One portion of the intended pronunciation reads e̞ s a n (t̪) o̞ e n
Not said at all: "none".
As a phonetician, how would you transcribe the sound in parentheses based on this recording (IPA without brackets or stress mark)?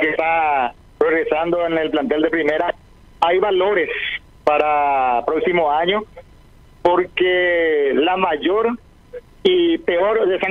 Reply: d̪